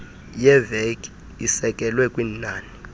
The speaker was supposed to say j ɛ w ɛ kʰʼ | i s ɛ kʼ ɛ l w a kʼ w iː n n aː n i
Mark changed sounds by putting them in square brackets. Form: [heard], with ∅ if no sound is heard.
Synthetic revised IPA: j ɛ [v] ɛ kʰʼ | i s ɛ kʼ ɛ l w [ɛ] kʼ w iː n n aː n i